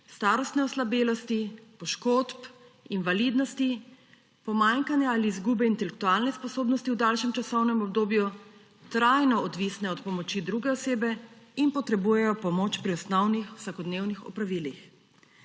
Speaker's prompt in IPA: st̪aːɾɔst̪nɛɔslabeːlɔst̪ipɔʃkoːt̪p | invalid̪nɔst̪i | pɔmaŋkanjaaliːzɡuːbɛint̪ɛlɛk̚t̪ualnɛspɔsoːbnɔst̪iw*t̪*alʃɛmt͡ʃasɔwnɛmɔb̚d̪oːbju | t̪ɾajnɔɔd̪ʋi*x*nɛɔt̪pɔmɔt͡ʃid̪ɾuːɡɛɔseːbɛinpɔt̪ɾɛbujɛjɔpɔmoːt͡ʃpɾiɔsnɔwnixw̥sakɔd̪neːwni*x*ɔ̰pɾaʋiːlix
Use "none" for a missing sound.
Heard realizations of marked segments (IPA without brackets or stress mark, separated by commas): d̪, s, x